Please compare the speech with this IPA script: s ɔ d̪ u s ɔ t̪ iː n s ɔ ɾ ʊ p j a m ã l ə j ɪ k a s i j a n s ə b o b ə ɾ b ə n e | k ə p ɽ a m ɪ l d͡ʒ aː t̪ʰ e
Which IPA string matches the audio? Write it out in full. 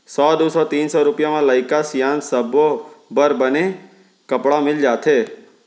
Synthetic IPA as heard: s ɔ d̪ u s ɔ t̪ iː n s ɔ ɾ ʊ p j a m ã l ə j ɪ k a s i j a n s ə b o b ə ɾ b ə n e | k ə p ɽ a m ɪ l d͡ʒ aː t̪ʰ e